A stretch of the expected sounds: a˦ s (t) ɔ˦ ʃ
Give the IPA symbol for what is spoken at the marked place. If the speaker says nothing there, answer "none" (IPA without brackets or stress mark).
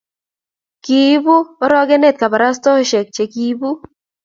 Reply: t